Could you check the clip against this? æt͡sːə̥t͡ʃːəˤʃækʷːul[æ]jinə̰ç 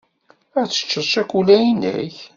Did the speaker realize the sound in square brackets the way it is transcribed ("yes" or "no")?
yes